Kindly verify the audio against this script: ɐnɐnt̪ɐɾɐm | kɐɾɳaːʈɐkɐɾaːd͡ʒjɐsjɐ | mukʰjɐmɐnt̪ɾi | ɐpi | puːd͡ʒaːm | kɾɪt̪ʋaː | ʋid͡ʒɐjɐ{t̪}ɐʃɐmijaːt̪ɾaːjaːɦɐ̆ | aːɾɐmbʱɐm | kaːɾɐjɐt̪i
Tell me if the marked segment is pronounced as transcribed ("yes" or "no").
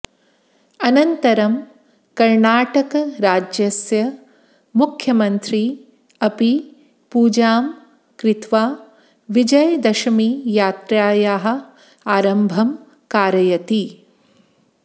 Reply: no